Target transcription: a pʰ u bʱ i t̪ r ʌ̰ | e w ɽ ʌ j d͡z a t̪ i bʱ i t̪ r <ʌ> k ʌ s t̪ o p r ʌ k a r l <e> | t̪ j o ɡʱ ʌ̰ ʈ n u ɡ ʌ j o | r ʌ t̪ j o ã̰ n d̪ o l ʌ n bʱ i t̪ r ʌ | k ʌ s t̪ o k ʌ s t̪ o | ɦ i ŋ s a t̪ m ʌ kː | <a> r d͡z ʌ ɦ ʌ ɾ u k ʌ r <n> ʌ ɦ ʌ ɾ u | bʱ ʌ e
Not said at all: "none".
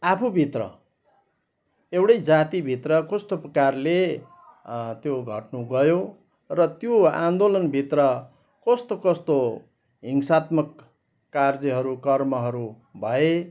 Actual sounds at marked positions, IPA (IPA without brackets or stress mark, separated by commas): ʌ, e, a, m